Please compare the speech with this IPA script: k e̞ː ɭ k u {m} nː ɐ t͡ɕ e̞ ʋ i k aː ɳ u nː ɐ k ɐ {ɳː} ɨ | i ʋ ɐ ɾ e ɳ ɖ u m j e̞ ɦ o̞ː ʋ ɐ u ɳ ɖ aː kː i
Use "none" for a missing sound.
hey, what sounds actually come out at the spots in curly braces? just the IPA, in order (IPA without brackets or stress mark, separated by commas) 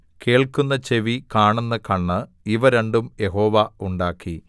none, ɳː